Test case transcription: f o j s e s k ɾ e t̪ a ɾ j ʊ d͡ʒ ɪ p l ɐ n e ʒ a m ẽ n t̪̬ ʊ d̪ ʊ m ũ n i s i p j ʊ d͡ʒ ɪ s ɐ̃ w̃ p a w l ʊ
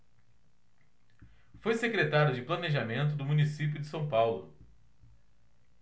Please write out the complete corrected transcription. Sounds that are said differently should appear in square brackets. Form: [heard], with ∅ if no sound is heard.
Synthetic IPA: f o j s e [∅] k ɾ e t̪ a ɾ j ʊ d͡ʒ ɪ p l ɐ n e ʒ a m ẽ n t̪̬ ʊ d̪ ʊ m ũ n i s i p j ʊ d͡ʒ ɪ s ɐ̃ w̃ p a w l ʊ